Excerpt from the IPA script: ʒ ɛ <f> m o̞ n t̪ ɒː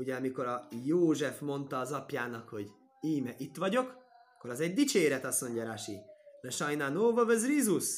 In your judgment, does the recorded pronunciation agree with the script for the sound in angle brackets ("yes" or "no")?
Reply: yes